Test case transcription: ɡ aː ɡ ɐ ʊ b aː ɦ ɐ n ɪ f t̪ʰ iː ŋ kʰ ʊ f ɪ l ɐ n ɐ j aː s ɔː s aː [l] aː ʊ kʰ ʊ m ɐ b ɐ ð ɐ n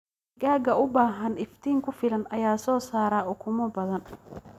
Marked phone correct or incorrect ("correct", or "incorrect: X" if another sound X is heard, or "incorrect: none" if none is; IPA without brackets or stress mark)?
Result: incorrect: ɾ